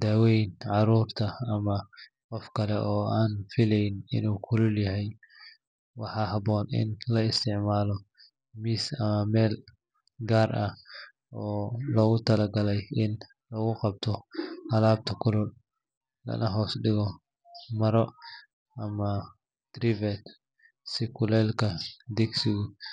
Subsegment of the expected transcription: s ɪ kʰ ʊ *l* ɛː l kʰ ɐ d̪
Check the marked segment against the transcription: correct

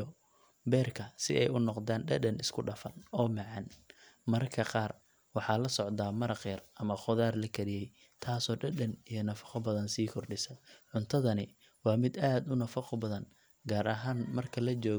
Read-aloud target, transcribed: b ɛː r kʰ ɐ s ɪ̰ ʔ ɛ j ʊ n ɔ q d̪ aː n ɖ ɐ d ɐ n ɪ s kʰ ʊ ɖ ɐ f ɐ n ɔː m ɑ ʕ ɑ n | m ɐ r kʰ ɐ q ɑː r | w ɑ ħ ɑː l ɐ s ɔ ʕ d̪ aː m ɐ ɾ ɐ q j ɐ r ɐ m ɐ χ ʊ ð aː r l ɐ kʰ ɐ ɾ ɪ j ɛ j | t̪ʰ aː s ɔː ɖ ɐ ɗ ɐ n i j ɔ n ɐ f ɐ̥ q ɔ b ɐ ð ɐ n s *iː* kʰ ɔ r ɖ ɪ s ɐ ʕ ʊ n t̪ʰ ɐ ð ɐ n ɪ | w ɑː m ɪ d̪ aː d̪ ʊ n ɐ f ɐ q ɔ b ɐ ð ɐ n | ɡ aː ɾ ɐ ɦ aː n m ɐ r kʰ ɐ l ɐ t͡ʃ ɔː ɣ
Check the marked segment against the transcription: correct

